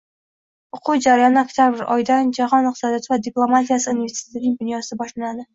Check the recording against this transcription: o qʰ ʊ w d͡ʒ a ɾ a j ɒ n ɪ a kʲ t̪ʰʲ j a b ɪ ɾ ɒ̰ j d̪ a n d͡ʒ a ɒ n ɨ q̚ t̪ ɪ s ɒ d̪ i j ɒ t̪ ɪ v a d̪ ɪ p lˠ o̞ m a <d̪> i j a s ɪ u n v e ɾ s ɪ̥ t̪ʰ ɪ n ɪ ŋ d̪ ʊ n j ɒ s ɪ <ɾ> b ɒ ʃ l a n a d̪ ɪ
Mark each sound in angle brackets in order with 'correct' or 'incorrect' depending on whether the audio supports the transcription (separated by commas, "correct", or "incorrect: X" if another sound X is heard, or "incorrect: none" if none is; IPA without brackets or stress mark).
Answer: incorrect: t̪, incorrect: none